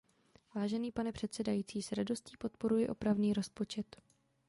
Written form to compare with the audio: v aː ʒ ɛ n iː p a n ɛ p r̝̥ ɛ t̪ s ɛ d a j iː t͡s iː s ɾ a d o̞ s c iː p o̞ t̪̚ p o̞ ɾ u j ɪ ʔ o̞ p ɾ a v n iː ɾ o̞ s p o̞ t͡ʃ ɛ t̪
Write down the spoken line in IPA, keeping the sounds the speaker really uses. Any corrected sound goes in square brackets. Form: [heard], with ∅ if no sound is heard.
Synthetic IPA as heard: v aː ʒ ɛ n iː p a n ɛ p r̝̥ ɛ t̪ s ɛ d a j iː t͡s iː s ɾ a d o̞ s c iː p o̞ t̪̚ p o̞ ɾ u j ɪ ʔ o̞ p ɾ a v n iː ɾ o̞ s p o̞ t͡ʃ ɛ t̪

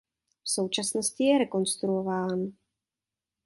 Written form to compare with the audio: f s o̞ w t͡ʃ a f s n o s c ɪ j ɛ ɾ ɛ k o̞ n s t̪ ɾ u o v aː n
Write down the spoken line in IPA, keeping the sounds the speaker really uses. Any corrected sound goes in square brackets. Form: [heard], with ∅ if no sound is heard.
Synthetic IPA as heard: f s o̞ w t͡ʃ a [∅] s n o s c ɪ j ɛ ɾ ɛ k o̞ n s t̪ ɾ u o v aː n

